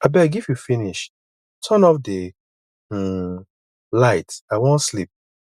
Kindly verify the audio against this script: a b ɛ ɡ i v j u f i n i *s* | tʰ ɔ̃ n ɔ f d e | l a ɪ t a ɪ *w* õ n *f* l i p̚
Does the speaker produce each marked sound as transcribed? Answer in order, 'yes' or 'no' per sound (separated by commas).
no, yes, no